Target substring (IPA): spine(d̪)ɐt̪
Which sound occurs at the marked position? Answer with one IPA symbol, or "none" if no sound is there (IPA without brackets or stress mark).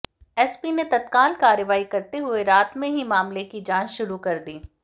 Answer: t̪